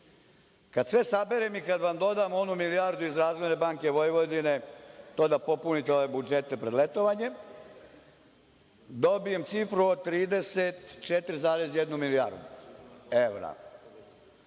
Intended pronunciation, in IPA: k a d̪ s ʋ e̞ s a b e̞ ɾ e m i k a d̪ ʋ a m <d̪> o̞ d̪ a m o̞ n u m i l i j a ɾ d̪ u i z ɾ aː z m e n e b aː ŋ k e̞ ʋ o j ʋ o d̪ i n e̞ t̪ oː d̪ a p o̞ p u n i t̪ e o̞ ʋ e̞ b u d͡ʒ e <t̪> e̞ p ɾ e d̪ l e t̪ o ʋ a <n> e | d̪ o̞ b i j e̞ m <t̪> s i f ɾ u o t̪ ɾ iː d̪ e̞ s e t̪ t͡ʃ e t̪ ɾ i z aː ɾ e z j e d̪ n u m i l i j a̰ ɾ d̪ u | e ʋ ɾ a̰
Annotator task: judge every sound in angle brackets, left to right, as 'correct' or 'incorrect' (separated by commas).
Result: correct, correct, incorrect, correct